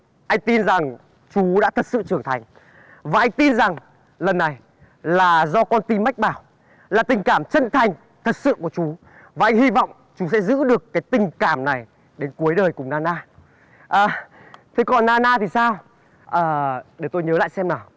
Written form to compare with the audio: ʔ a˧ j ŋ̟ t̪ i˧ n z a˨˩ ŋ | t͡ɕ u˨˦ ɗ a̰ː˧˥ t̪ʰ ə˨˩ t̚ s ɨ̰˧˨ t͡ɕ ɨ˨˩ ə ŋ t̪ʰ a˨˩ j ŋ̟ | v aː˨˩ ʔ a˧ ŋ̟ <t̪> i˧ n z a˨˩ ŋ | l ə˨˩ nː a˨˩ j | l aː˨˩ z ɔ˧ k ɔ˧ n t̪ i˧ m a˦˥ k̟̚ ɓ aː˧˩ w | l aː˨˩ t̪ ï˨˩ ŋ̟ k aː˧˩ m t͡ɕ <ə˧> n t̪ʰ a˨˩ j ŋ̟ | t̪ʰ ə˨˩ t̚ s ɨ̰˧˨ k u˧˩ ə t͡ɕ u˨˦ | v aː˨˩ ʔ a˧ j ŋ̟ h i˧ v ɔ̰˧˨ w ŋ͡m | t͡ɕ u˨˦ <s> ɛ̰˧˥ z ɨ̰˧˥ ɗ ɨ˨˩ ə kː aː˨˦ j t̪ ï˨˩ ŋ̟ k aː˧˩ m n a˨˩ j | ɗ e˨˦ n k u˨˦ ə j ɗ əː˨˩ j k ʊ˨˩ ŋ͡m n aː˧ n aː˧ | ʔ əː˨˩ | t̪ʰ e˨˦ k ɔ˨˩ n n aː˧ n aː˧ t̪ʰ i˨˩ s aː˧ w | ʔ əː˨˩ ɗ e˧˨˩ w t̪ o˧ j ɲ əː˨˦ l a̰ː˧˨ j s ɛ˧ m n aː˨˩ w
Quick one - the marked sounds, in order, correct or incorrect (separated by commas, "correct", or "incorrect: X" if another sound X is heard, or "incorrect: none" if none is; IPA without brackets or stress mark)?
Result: correct, correct, correct